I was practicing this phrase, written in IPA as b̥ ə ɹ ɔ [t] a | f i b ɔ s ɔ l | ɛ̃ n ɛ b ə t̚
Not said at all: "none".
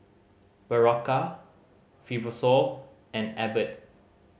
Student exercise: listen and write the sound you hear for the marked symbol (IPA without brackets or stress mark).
k